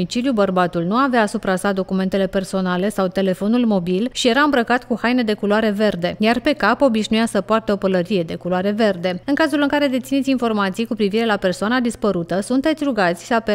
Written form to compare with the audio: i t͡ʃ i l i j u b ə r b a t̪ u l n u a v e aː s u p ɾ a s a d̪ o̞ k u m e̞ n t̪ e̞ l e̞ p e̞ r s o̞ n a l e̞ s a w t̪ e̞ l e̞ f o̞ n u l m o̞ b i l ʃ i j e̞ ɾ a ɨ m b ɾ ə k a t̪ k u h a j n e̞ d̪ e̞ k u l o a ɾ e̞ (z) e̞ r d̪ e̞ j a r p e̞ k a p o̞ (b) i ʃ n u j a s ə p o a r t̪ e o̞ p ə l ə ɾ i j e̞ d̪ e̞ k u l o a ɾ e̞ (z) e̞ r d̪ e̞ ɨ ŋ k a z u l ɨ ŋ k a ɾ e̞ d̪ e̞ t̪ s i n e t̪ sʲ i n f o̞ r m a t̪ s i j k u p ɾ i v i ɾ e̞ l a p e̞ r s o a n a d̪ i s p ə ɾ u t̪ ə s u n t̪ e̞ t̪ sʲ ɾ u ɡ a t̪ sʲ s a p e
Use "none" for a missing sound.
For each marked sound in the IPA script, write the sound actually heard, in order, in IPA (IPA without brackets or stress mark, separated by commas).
v, b, v